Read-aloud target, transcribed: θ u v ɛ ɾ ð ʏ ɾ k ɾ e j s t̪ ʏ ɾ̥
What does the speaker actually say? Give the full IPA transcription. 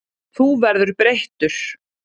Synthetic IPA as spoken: θ u v ɛ ɾ ð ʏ ɾ p ɾ e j h t̪ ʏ ɾ̥